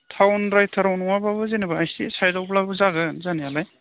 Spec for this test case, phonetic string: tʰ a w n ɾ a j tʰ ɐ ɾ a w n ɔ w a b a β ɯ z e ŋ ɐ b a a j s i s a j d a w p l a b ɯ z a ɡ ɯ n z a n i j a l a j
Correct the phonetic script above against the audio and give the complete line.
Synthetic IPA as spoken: tʰ a w n ɾ a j tʰ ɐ ɾ a w n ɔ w a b a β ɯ z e n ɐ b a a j s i s a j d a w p l a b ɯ z a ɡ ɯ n z a n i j a l a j